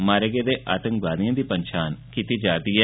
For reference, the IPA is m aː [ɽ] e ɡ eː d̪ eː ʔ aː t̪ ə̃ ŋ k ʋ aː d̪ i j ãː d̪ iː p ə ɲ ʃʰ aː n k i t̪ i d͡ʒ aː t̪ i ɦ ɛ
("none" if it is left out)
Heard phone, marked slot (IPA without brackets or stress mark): ɾ